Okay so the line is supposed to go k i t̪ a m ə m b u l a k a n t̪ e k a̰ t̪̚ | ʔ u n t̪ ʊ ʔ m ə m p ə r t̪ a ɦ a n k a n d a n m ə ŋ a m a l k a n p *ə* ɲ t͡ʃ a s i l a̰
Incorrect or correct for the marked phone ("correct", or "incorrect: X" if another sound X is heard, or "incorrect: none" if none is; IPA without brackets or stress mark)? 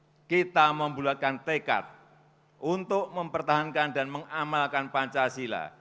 incorrect: a